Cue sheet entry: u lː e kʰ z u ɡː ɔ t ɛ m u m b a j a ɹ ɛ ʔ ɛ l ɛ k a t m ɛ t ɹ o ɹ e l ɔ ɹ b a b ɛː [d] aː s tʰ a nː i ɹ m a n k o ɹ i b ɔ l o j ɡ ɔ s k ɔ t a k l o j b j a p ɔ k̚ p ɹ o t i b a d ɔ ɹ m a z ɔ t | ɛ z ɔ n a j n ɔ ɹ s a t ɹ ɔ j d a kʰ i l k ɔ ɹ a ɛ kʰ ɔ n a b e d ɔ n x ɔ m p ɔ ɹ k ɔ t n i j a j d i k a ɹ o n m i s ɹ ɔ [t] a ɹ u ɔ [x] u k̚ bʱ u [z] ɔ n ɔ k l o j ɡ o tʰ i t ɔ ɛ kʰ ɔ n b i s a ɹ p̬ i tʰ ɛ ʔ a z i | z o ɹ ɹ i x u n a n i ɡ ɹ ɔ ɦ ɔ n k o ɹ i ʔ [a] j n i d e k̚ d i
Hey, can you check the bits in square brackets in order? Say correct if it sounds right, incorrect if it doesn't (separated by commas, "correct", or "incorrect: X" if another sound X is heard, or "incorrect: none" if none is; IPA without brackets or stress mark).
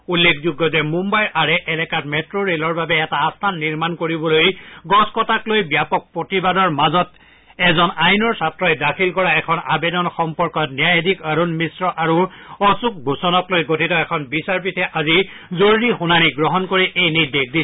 incorrect: t, incorrect: ʔ, incorrect: s, incorrect: s, incorrect: e